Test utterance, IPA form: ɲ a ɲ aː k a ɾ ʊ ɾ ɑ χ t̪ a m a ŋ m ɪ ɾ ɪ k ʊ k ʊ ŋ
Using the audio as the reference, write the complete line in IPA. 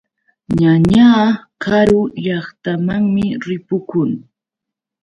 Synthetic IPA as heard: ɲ a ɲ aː k a ɾ ʊ ʎ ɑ χ t̪ a m a ŋ m ɪ ɾ ɪ p ʊ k ʊ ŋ